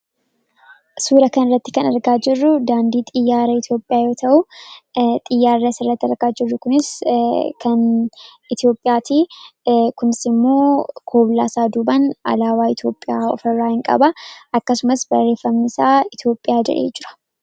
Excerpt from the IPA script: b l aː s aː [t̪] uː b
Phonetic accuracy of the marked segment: incorrect: d̪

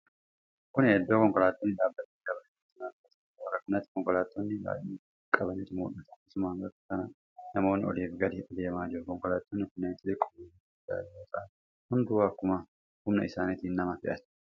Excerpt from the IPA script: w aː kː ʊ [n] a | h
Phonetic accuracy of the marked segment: incorrect: m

